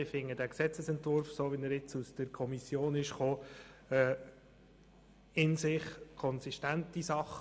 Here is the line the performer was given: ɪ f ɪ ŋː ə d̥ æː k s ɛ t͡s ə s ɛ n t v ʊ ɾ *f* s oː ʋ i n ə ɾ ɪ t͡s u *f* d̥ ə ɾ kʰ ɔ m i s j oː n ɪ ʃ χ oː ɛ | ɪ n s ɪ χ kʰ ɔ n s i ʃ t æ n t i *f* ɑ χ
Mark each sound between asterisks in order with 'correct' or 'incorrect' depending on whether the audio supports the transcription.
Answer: correct, incorrect: s, incorrect: s

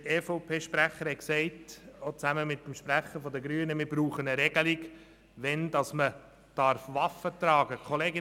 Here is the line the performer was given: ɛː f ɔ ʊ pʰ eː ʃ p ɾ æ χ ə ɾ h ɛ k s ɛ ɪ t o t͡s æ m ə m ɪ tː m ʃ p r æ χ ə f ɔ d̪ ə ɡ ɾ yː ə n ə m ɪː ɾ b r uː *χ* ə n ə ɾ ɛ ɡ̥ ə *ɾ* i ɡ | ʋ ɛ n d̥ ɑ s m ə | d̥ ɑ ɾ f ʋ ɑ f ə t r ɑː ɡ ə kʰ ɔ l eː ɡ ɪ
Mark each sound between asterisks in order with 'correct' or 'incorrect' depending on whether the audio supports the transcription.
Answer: correct, incorrect: l

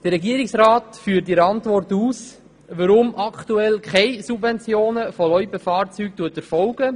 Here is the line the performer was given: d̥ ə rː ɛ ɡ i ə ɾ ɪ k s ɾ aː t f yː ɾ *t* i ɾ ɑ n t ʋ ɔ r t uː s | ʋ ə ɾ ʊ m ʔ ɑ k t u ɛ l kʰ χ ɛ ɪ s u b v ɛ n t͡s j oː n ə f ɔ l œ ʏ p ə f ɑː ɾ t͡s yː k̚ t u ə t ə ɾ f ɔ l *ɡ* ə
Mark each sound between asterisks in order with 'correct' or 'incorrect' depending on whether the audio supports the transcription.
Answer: correct, correct

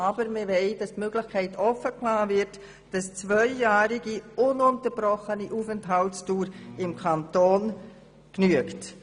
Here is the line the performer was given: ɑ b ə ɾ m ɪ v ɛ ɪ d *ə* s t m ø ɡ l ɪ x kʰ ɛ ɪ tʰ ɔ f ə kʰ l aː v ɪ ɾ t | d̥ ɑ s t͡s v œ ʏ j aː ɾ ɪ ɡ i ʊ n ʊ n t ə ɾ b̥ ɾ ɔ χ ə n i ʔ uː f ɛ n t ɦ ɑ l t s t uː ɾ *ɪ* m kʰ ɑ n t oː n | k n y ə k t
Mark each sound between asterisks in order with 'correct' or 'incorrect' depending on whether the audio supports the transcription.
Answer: incorrect: ɑ, correct

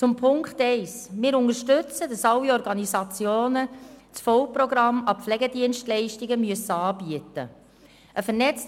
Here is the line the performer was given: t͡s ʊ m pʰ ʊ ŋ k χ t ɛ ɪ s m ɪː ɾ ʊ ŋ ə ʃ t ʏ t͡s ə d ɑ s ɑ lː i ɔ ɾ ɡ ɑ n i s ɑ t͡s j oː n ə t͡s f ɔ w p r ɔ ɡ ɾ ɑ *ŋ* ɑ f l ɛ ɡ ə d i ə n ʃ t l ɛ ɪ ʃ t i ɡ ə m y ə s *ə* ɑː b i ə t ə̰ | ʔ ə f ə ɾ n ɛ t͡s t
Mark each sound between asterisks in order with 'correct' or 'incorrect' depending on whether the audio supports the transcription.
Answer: incorrect: m, correct

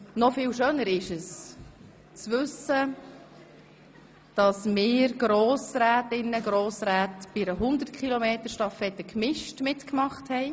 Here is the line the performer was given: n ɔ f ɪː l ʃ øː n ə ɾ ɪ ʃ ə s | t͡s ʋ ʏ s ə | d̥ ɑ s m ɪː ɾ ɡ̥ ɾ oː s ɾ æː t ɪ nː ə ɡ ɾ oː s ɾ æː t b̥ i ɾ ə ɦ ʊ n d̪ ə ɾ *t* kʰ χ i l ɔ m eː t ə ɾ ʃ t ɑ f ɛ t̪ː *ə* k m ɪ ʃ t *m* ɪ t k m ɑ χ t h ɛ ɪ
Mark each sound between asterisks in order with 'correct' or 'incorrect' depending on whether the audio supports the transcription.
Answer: correct, correct, correct

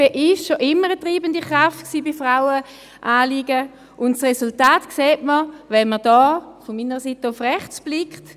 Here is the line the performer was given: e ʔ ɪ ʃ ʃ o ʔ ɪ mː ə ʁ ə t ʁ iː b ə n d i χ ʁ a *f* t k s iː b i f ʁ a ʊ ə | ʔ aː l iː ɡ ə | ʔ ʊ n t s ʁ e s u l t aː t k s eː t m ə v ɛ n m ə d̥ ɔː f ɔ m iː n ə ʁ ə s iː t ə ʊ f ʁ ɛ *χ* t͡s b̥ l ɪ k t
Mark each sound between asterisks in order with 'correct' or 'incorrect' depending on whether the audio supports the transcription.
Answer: correct, correct

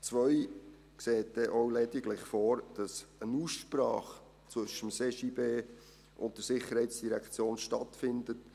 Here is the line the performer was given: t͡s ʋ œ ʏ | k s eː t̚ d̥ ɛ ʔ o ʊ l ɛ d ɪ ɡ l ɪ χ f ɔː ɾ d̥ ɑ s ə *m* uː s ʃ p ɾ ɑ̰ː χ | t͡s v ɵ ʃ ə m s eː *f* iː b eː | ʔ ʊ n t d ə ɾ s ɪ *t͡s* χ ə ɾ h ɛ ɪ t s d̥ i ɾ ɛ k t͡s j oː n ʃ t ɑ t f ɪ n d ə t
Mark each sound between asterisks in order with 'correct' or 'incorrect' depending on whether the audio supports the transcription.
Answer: incorrect: n, incorrect: ʃ, incorrect: none

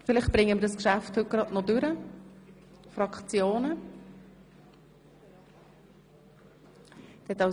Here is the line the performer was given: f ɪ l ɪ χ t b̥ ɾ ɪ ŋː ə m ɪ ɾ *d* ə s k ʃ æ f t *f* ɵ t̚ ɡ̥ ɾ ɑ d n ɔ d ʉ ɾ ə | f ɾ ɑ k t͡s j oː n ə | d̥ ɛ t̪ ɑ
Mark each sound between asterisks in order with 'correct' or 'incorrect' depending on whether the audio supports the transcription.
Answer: correct, incorrect: h

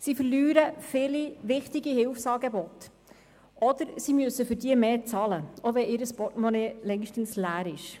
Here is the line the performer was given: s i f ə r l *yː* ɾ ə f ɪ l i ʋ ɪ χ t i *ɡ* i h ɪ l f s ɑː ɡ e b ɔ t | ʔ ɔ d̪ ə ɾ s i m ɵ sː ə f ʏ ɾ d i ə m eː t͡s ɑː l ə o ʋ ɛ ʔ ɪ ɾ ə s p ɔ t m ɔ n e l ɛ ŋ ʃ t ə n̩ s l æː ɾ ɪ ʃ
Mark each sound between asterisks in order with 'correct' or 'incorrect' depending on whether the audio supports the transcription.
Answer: correct, correct

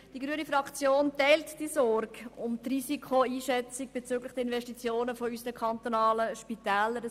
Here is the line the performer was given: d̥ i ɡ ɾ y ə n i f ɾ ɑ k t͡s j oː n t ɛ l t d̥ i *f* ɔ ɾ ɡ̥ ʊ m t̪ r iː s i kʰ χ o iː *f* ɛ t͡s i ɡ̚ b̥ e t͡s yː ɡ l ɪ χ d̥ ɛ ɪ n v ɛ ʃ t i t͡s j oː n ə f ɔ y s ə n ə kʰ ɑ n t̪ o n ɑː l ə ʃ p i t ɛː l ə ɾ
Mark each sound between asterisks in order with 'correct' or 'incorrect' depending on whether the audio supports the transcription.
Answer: incorrect: s, incorrect: ʃ

